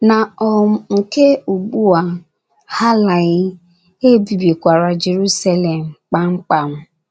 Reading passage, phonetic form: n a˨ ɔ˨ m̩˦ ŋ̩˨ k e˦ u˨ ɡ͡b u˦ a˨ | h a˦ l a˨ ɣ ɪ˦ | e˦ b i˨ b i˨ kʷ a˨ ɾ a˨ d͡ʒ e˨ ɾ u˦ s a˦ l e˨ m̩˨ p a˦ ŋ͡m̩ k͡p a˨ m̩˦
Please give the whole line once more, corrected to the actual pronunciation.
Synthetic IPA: n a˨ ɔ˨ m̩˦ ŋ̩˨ k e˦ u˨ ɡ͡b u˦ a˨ | h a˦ l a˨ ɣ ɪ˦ | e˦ b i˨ b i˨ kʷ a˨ ɾ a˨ d͡ʒ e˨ ɾ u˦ s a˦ l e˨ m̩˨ k͡p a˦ ŋ͡m̩ k͡p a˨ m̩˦